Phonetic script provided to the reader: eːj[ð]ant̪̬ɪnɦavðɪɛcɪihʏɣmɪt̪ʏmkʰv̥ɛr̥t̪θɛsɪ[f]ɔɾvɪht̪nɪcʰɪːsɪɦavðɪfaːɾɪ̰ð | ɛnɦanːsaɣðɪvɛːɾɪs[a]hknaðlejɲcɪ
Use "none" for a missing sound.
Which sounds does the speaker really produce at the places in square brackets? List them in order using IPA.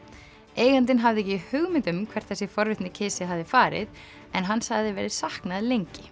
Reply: ɣ, f, a

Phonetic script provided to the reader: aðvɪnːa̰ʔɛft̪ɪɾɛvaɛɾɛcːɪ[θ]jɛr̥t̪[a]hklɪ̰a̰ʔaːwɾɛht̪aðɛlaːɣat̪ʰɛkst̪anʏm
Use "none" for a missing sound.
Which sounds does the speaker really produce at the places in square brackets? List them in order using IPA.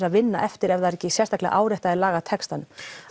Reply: s, a

